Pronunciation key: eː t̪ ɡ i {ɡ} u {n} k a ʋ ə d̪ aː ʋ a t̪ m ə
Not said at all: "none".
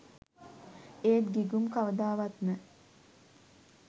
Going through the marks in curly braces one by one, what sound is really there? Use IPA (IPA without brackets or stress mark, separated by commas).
ɡ, m